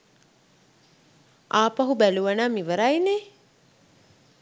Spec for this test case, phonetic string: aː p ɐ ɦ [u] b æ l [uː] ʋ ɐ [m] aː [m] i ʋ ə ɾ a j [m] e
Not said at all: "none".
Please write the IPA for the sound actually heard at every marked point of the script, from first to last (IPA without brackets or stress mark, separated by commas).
u, u, n, m, n